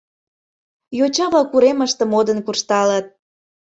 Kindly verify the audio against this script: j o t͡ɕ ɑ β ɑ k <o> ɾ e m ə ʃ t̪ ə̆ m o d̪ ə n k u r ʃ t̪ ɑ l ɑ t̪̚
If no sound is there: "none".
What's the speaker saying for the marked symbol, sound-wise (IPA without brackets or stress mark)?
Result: u